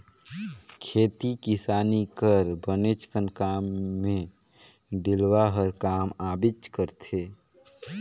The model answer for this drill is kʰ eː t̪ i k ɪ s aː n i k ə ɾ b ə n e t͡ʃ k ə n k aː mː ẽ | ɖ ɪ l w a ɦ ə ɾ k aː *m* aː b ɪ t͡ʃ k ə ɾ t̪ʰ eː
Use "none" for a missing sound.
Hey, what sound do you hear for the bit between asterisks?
m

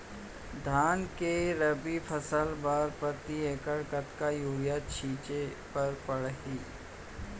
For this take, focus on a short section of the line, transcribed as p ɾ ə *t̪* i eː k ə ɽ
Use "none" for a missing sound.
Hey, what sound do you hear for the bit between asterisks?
t̪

